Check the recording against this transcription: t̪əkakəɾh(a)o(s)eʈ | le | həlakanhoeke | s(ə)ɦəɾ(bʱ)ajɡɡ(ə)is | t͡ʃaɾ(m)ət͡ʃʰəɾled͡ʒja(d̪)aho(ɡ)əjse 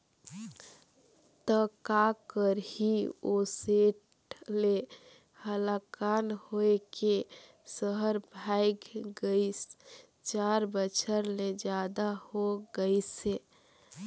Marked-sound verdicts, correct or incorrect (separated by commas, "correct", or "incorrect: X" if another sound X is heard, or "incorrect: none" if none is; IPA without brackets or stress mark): incorrect: i, correct, correct, correct, correct, incorrect: b, correct, correct